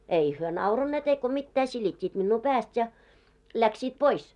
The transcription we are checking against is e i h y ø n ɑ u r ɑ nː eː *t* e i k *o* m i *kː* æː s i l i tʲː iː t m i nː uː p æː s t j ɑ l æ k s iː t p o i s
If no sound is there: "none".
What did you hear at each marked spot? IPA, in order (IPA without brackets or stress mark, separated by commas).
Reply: t, o, tː